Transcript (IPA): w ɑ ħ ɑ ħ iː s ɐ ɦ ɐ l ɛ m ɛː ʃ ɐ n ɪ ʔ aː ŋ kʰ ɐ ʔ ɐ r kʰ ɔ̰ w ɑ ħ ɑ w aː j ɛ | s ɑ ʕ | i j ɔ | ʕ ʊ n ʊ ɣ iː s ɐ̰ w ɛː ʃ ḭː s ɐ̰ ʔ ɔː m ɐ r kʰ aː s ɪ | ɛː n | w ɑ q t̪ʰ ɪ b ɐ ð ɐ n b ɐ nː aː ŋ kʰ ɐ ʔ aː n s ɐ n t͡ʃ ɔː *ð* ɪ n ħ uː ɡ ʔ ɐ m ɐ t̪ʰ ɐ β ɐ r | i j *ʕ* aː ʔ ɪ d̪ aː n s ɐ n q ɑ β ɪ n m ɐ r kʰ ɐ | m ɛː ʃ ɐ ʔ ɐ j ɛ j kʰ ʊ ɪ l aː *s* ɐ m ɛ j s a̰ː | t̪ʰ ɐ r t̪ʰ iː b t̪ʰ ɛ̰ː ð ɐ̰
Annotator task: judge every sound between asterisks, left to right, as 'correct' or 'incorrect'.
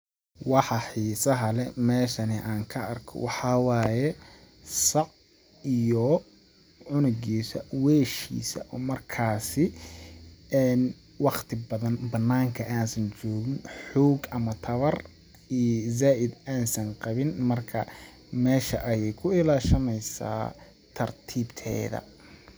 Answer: incorrect: ɣ, incorrect: z, incorrect: ʃ

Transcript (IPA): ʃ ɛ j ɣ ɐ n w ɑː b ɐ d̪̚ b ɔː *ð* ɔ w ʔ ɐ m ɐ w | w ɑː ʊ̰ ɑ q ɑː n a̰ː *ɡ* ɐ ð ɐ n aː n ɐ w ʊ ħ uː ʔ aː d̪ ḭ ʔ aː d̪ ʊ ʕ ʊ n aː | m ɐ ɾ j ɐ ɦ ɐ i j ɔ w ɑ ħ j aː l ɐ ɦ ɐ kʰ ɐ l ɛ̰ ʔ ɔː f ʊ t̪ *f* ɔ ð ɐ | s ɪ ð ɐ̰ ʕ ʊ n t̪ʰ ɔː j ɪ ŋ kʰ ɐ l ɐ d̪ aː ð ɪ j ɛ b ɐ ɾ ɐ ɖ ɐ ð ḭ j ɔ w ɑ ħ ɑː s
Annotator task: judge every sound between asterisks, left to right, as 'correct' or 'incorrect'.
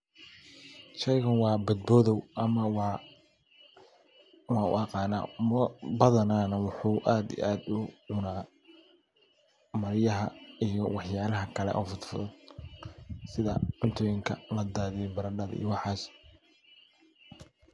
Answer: correct, incorrect: b, correct

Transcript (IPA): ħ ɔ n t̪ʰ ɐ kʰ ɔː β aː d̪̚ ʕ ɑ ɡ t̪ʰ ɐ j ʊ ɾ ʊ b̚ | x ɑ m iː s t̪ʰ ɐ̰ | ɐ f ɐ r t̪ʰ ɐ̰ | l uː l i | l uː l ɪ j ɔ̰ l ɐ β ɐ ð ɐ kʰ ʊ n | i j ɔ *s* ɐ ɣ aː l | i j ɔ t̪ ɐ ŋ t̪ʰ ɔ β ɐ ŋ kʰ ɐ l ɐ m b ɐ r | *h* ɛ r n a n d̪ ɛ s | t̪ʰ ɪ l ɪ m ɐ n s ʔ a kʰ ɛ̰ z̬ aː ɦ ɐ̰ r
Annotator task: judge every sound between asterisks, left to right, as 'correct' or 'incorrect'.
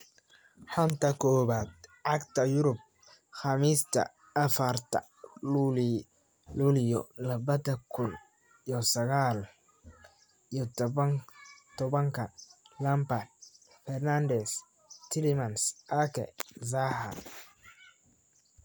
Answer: correct, incorrect: f

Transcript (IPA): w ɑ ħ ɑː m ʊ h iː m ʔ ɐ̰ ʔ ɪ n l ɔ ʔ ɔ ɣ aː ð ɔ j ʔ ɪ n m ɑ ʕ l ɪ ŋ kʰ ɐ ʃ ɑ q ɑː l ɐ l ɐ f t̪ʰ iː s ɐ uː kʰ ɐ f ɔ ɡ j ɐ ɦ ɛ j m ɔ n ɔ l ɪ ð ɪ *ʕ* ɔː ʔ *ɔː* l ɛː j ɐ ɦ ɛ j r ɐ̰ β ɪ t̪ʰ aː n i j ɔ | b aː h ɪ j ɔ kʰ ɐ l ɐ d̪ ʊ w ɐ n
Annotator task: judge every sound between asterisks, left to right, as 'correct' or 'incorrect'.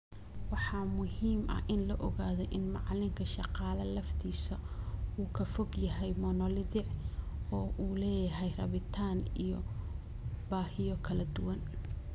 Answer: correct, incorrect: uː

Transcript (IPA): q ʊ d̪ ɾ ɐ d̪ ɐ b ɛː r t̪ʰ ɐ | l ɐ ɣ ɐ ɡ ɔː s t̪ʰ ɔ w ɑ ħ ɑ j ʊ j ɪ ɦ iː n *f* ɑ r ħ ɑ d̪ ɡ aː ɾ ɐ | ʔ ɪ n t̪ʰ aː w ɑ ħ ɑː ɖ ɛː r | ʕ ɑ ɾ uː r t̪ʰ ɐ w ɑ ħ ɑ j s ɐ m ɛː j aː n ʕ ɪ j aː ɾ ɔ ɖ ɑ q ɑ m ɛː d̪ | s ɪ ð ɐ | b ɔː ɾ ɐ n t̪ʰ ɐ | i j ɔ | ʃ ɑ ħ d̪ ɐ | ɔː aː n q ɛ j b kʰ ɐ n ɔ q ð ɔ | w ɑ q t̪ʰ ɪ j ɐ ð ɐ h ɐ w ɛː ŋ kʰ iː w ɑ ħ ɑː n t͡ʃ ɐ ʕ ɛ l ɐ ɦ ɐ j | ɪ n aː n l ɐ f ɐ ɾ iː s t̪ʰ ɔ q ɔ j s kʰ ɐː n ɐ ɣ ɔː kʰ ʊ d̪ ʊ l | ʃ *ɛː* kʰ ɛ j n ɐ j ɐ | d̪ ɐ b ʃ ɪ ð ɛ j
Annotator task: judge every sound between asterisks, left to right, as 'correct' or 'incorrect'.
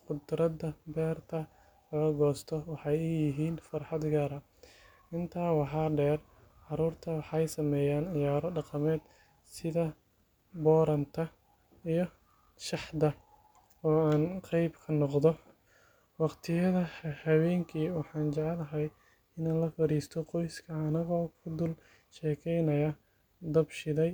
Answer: correct, correct

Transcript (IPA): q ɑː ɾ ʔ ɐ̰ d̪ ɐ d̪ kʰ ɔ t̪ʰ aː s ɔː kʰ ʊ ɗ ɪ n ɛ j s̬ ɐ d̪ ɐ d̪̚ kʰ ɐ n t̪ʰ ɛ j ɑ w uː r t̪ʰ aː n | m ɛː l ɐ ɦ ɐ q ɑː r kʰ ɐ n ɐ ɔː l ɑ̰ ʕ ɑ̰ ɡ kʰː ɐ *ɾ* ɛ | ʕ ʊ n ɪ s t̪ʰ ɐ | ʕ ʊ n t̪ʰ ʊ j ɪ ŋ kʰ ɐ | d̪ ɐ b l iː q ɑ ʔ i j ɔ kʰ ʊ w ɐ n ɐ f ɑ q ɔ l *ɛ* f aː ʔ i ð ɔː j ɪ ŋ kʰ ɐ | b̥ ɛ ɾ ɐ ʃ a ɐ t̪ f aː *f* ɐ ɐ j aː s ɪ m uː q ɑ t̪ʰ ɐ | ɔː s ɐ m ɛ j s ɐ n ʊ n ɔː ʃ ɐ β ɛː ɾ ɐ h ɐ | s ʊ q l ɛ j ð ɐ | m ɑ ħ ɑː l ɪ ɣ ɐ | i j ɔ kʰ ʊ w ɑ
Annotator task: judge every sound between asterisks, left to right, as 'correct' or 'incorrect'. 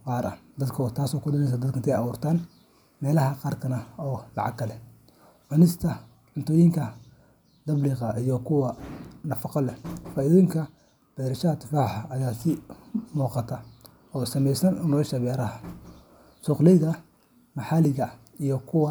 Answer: incorrect: l, correct, incorrect: ħ

